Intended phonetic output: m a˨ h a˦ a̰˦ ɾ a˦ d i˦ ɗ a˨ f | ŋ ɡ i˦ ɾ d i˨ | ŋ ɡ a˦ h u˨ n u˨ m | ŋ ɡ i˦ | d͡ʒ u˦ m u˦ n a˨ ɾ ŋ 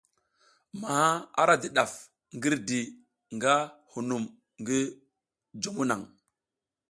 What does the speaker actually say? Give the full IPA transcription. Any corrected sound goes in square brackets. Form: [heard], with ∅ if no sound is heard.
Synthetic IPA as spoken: m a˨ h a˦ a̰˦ ɾ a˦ d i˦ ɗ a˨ f | ŋ ɡ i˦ ɾ d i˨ | ŋ ɡ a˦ h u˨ n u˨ m | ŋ ɡ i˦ | d͡ʒ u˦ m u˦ n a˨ [∅] ŋ